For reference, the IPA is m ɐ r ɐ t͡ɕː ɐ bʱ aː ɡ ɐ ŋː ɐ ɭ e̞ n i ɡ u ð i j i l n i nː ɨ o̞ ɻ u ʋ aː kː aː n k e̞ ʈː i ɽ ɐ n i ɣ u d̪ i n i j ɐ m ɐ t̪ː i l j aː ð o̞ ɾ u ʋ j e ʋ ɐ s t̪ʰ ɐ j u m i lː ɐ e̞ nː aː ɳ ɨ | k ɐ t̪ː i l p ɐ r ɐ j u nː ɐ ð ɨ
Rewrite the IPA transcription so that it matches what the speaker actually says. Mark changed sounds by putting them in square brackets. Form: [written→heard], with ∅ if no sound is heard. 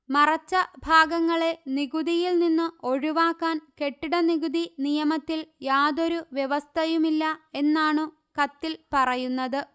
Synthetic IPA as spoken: m ɐ r ɐ t͡ɕː ɐ bʱ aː ɡ ɐ ŋː ɐ ɭ e̞ n i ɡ u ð i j i l n i nː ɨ o̞ ɻ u ʋ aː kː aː n k e̞ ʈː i ɽ ɐ n i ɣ u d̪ i n i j ɐ m ɐ t̪ː i l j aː ð o̞ ɾ u ʋ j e ʋ ɐ s t̪ʰ ɐ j u m i lː ɐ e̞ nː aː ɳ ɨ | k ɐ t̪ː i l p ɐ r ɐ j u nː ɐ ð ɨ